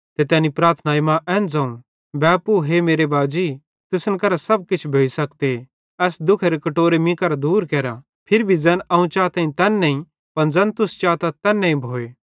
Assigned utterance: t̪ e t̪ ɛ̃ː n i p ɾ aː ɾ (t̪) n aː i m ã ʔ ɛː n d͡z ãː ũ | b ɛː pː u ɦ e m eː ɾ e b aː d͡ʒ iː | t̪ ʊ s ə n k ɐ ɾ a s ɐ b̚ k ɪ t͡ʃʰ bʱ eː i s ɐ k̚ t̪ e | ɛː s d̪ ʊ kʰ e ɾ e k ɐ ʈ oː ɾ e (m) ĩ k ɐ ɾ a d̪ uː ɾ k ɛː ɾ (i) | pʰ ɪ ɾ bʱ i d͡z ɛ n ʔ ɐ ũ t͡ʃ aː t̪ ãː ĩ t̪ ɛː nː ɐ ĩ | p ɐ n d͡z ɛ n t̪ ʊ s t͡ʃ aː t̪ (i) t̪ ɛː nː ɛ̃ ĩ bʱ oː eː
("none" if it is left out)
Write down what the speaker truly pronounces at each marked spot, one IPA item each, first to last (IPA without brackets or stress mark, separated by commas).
t̪ʰ, m, a, a